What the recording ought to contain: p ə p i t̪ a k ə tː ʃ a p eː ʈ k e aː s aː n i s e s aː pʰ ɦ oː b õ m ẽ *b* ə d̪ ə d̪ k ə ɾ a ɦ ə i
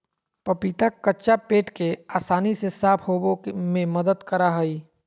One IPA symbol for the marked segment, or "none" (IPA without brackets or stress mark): m